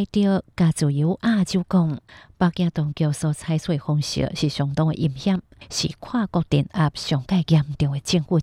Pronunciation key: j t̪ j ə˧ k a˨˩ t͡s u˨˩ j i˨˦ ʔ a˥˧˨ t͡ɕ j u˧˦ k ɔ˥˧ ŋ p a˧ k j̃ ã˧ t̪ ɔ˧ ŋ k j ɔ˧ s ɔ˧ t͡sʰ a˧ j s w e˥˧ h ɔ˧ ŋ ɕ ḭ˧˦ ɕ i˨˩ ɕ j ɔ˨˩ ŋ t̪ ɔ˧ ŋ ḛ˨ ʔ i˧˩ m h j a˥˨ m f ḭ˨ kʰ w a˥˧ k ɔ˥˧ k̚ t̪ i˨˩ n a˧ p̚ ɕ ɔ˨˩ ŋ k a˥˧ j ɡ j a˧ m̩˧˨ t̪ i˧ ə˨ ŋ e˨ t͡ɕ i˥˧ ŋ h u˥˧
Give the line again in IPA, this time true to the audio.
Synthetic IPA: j t̪ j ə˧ k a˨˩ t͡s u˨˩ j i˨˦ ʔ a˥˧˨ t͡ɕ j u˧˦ k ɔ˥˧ ŋ p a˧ k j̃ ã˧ t̪ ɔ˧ ŋ k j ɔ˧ s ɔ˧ t͡sʰ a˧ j s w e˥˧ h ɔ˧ ŋ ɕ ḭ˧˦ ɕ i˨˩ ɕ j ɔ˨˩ ŋ t̪ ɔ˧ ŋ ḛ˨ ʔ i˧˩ m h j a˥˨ m ɕ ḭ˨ kʰ w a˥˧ k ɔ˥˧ k̚ t̪ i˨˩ n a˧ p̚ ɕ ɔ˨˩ ŋ k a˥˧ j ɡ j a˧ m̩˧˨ t̪ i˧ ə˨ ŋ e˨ t͡ɕ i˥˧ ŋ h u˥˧